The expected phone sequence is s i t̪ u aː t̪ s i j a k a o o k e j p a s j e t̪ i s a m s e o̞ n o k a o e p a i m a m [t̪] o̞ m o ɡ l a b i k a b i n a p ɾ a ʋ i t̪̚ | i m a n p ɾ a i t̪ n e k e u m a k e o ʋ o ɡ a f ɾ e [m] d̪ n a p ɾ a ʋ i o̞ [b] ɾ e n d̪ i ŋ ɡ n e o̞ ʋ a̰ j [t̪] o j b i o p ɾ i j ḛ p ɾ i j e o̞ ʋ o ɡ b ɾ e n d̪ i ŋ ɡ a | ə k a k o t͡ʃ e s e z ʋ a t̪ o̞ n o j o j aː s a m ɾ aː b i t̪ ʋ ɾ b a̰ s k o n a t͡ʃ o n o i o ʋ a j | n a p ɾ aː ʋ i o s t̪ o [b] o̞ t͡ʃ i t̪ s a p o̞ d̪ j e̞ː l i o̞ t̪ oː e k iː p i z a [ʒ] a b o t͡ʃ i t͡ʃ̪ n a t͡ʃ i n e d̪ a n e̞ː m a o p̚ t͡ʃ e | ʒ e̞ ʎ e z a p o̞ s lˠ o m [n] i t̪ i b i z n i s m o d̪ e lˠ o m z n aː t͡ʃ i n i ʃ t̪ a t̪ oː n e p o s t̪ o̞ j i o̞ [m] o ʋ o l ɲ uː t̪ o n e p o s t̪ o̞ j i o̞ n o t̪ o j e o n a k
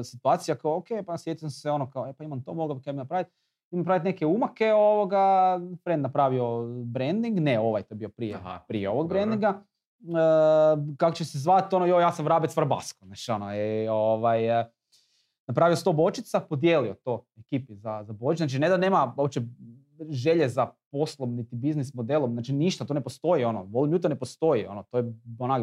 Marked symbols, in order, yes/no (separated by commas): yes, no, yes, yes, yes, no, yes, no